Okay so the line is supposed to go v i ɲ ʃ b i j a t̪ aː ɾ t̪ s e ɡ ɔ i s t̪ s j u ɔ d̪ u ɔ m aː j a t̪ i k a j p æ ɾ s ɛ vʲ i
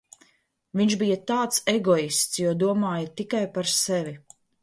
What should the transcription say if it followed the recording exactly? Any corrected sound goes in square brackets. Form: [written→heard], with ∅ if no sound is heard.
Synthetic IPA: v i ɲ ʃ b i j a t̪ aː [ɾ→∅] t̪ s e ɡ ɔ i s t̪ s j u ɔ d̪ u ɔ m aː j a t̪ i k a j p [æ→a] ɾ s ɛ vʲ i

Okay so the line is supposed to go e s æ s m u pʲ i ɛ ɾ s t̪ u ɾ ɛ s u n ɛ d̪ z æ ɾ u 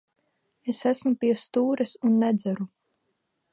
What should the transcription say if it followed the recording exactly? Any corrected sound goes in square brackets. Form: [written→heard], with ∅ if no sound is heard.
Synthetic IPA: e s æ s m u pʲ i ɛ [ɾ→∅] s t̪ [u→uː] ɾ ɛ s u [n→nː] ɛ d̪ z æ ɾ u

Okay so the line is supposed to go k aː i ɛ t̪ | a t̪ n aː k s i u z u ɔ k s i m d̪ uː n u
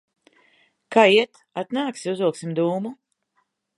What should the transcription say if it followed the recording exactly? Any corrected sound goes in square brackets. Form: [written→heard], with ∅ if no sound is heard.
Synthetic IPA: k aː i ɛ t̪ | a t̪ n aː k s i u z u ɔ k s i m d̪ uː [n→m] u

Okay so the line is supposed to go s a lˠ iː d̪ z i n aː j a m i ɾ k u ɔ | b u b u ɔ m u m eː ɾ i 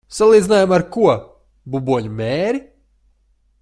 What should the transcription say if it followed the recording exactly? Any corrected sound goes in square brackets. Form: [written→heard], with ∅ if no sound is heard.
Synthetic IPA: s a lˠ iː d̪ z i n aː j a m [i→a] ɾ k u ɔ | b u b u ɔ [m→ɲ] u m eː ɾ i

